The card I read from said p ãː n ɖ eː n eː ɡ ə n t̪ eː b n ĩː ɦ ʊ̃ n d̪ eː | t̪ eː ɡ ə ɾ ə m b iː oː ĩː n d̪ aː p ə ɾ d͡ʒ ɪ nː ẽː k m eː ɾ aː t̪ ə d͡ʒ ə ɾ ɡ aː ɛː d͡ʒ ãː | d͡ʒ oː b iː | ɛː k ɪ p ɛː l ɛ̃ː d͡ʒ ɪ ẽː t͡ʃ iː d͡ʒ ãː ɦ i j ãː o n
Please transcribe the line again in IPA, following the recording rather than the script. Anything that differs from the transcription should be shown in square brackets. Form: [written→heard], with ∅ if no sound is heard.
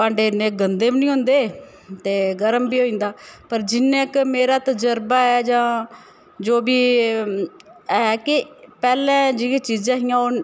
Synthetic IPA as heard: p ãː [n→ɳ] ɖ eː n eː ɡ ə n [t̪→d̪] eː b n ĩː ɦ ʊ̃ n d̪ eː | t̪ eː ɡ ə ɾ ə m b iː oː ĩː n d̪ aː p ə ɾ d͡ʒ ɪ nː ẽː k m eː ɾ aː t̪ ə d͡ʒ ə ɾ [ɡ→b] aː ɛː d͡ʒ ãː | d͡ʒ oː b iː | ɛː k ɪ p ɛː l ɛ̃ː d͡ʒ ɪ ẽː t͡ʃ iː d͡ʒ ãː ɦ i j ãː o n